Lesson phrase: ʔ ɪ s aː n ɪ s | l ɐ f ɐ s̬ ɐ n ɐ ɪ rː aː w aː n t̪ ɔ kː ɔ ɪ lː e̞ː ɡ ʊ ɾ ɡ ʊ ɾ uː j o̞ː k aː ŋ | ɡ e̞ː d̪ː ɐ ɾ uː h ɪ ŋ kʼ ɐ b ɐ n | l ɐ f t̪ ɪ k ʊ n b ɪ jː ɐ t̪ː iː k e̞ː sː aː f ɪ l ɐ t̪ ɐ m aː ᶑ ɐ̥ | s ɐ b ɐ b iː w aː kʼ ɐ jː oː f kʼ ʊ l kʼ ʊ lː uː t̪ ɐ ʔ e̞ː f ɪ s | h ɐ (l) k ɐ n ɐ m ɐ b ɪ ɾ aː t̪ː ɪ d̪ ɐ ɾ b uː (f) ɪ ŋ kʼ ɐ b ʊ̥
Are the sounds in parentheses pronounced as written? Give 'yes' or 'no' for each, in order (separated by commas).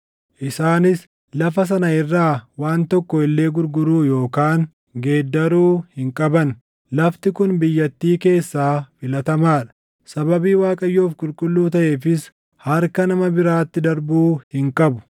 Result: no, no